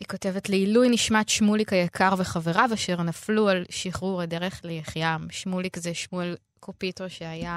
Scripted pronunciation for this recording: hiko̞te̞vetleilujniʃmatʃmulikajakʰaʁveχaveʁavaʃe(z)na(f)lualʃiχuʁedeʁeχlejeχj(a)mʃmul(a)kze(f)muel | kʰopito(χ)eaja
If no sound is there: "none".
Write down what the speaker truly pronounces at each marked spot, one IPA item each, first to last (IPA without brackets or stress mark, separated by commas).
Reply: ʁ, f, a, i, ʃ, ʃ